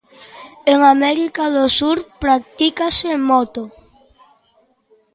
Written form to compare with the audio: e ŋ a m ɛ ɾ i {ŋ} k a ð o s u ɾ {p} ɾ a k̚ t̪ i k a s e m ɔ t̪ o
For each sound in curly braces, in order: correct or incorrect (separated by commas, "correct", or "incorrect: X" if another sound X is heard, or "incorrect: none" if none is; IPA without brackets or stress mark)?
incorrect: none, correct